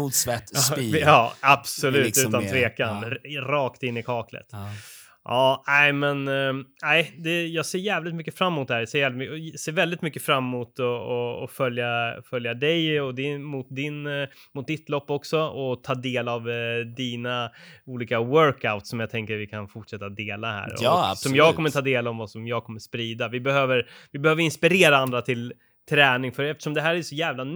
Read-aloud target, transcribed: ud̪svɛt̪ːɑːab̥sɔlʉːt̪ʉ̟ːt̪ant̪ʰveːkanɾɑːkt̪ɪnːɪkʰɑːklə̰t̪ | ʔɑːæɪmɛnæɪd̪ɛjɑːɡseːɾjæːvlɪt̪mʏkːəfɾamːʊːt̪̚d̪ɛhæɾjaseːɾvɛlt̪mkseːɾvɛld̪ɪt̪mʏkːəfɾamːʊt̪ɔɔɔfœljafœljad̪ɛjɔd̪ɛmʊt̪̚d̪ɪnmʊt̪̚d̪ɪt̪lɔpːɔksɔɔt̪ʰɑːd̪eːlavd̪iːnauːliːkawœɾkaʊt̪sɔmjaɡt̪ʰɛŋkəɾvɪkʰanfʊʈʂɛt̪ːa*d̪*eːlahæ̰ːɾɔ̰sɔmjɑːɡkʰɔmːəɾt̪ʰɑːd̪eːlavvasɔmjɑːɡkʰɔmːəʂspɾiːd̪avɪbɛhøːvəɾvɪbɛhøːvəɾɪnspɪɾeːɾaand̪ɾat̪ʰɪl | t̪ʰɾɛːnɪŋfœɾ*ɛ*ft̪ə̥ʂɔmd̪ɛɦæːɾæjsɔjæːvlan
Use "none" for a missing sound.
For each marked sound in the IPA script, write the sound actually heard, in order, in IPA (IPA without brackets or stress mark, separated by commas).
d̪, ɛ